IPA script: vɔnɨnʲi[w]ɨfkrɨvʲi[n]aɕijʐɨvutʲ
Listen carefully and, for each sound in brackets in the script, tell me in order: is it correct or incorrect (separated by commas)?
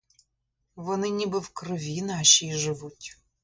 incorrect, correct